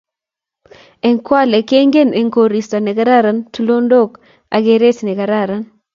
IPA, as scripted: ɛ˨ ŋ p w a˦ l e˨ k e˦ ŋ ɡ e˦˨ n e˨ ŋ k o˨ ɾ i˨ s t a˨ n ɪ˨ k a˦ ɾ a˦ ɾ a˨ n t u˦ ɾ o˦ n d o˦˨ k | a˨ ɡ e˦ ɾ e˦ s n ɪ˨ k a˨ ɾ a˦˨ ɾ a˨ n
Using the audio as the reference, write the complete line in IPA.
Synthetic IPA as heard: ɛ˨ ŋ k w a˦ l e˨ k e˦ ŋ ɡ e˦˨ n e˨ ŋ k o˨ ɾ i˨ s t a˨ n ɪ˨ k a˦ ɾ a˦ ɾ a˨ n t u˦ l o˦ n d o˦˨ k | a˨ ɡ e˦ ɾ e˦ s n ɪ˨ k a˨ ɾ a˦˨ ɾ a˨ n